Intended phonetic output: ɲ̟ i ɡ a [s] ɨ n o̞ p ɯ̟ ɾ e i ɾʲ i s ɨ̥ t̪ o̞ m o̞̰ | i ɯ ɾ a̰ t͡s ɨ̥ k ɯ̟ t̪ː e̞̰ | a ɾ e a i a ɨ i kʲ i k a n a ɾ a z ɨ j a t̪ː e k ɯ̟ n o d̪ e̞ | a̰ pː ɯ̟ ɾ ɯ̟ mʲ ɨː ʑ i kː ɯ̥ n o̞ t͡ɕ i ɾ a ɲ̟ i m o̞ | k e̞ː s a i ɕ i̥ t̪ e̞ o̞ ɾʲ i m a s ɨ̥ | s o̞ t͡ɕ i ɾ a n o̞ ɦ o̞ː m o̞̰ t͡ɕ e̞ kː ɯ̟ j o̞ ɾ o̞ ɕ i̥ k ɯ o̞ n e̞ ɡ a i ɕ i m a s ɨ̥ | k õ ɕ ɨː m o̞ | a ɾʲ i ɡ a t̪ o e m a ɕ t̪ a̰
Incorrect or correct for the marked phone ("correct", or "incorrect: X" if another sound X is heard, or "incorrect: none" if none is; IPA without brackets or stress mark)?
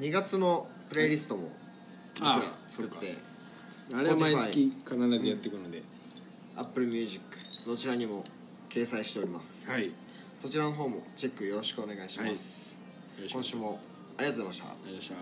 incorrect: t͡s